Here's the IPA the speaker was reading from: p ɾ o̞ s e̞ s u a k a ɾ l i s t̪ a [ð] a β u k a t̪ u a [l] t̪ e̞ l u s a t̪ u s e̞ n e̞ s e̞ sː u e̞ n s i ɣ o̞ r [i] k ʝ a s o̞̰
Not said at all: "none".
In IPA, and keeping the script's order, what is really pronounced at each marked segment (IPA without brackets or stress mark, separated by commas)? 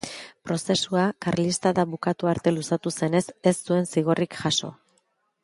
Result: ð, ɾ, i